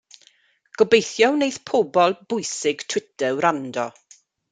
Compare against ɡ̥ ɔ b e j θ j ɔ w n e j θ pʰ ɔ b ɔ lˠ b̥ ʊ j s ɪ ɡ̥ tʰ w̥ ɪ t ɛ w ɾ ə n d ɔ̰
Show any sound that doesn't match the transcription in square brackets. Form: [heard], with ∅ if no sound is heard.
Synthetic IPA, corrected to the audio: ɡ̥ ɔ b e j θ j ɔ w n e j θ pʰ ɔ b ɔ lˠ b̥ ʊ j s ɪ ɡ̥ tʰ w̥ ɪ t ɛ w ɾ [a] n d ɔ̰